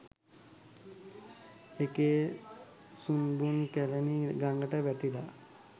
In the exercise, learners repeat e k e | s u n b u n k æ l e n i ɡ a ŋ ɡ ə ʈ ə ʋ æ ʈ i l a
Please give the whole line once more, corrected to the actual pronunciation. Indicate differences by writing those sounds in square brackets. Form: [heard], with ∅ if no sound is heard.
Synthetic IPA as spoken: e k e | s u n b u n k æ l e n i ɡ a ŋ ɡ ə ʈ ə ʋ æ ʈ i l a